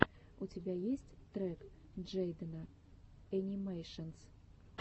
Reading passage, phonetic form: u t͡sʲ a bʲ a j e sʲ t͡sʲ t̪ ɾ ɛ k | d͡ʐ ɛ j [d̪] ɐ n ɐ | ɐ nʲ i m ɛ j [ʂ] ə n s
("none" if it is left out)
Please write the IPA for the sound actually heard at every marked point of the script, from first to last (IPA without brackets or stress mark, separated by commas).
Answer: d̪, ʂ